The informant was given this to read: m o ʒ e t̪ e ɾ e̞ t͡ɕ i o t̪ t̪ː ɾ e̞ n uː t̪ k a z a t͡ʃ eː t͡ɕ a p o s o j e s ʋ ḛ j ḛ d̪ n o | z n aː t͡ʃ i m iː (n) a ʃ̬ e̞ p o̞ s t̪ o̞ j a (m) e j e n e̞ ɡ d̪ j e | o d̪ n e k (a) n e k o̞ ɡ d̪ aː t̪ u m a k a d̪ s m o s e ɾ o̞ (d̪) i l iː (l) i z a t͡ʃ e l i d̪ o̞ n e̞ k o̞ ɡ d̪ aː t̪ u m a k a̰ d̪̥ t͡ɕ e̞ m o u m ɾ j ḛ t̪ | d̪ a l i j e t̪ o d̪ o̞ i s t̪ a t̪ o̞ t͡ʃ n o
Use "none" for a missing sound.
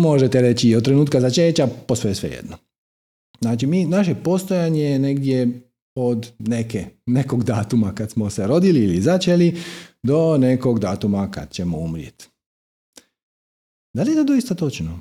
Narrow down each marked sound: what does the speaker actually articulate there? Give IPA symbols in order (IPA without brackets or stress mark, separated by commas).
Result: n, ɲ, e, d̪, l